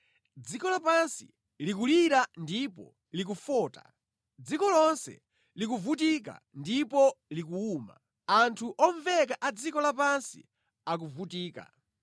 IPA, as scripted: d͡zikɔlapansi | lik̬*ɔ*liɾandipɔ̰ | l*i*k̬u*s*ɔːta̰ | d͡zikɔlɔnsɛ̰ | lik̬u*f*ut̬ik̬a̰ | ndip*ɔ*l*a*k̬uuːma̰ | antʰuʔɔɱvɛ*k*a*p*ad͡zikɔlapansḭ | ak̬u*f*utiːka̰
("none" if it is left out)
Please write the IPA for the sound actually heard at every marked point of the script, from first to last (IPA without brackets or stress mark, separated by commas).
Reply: u, i, f, v, ɔ, i, k, ʔ, v